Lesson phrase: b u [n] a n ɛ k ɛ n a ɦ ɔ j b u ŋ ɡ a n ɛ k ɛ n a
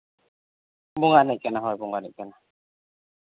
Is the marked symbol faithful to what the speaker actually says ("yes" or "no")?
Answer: no